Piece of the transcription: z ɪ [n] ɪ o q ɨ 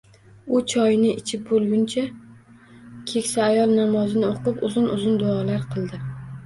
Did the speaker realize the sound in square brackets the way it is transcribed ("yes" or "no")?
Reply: yes